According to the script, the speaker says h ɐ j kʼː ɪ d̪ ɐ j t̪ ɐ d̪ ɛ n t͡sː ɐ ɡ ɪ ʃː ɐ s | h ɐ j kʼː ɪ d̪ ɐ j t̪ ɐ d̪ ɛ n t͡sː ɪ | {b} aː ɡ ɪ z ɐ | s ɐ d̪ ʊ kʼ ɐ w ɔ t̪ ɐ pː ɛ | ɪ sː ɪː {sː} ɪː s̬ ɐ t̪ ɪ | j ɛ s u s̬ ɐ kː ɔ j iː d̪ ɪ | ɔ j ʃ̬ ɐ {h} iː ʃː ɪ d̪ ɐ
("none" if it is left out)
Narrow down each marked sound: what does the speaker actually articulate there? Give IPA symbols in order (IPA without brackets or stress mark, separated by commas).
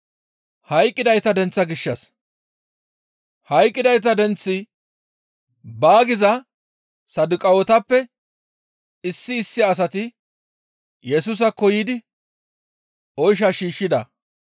b, sː, ʃ